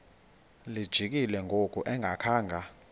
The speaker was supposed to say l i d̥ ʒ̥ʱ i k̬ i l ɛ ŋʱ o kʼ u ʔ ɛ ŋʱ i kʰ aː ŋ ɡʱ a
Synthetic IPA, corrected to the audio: l i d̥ ʒ̥ʱ i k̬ i l ɛ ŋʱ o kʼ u ʔ ɛ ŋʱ a kʰ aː ŋ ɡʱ a